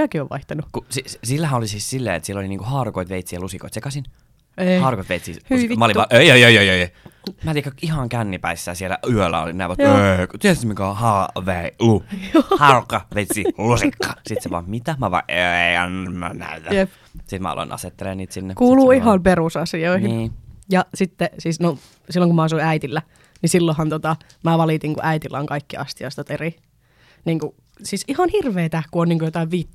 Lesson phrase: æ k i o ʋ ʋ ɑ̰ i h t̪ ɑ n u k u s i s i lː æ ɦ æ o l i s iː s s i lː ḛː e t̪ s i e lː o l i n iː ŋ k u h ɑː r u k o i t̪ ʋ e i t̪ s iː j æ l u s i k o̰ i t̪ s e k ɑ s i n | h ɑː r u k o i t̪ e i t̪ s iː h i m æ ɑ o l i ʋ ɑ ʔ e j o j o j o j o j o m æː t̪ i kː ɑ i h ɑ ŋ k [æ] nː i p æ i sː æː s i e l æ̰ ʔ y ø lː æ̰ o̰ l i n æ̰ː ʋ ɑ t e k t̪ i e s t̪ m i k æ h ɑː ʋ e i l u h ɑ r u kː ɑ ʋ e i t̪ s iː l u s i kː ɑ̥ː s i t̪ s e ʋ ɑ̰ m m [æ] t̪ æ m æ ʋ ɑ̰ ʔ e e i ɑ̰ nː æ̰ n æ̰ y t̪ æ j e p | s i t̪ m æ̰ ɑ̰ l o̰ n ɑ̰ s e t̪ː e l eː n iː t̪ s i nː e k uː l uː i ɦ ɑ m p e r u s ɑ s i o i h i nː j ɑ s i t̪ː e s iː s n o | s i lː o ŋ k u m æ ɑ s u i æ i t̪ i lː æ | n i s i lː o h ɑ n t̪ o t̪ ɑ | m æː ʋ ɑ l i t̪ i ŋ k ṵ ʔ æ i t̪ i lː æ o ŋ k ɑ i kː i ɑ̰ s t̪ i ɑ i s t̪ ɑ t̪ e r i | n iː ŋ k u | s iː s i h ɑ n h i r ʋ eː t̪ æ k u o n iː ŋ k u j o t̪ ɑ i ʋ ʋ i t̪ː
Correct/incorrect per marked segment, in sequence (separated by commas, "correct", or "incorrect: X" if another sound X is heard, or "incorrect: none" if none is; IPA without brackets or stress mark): correct, incorrect: i